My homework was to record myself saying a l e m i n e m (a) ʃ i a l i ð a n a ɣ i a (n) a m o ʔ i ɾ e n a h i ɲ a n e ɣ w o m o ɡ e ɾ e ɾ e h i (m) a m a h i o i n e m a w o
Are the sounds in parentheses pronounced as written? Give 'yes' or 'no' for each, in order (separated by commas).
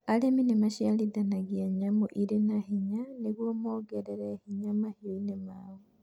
yes, no, no